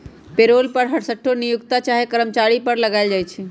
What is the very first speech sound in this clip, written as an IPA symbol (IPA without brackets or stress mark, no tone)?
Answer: p